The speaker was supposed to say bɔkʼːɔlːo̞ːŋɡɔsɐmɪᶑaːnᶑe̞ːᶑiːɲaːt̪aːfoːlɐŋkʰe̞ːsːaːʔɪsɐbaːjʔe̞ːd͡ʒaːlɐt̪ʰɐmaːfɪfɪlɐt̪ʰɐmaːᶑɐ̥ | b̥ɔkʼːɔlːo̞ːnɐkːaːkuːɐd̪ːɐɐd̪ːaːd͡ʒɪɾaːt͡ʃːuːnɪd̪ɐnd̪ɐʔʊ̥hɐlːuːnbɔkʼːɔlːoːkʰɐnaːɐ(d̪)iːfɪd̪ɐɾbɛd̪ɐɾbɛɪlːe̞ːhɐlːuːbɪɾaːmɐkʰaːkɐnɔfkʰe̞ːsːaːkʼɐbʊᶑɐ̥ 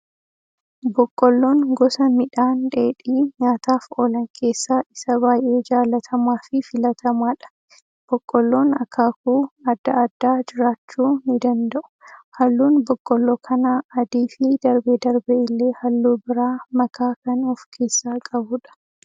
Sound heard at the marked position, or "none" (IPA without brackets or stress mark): d̪